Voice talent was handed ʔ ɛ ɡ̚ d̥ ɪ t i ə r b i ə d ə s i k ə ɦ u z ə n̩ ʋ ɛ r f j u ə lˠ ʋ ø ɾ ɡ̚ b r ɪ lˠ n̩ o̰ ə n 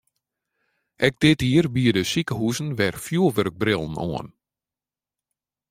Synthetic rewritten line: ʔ ɛ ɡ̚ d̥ ɪ t i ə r b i ə d ə s i k ə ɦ u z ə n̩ ʋ ɛ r f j u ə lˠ ʋ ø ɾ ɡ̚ b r ɪ lˠ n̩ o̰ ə n